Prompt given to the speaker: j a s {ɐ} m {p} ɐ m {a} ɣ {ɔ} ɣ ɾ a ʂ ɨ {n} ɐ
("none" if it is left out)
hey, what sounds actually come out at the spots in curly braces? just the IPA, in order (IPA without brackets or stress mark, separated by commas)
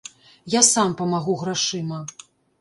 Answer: a, p, a, u, m